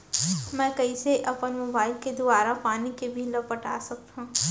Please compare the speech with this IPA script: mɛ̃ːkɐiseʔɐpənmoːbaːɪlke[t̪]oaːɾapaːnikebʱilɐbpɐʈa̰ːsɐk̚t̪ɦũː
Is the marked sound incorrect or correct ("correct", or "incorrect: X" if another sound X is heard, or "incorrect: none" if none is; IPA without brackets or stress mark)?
incorrect: d̪